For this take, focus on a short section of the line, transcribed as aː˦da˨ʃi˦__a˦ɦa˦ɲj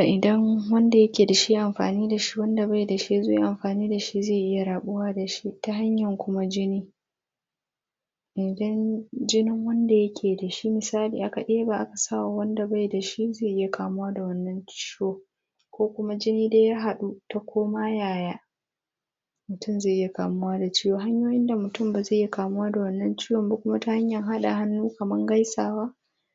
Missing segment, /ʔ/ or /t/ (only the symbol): t